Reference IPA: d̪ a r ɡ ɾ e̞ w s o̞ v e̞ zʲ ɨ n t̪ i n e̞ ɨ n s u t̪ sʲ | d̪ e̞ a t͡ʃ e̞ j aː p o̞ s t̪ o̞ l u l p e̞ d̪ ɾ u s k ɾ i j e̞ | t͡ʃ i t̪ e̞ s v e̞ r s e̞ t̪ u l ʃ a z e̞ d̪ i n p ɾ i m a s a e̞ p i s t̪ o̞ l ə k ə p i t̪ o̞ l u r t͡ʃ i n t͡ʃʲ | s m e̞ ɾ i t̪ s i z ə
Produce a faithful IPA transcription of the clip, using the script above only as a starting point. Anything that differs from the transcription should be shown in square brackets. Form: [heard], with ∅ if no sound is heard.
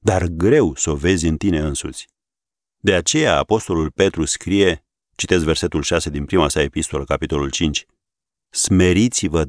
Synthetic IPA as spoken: d̪ a r ɡ ɾ e̞ w s o̞ v e̞ zʲ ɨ n t̪ i n e̞ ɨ n s u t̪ sʲ | d̪ e̞ a t͡ʃ e̞ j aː p o̞ s t̪ o̞ l u l p e̞ [t̪] ɾ u s k ɾ i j e̞ | t͡ʃ i t̪ e̞ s v e̞ r s e̞ t̪ u l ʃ a [s] e̞ d̪ i n p ɾ i m a s a e̞ p i s t̪ o̞ l ə k [a] p i t̪ o̞ l u [l] t͡ʃ i n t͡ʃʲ | s m e̞ ɾ i t̪ s i [v] ə